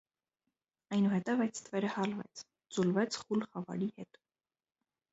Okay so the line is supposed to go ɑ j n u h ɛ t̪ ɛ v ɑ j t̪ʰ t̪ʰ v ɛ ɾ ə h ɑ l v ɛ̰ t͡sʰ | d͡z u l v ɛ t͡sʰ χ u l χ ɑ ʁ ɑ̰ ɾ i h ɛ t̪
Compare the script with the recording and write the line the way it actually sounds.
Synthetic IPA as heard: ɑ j n u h ɛ t̪ ɛ v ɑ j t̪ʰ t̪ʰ v ɛ ɾ ə h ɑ l v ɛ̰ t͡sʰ | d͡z u l v ɛ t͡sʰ χ u l χ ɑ v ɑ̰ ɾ i h ɛ t̪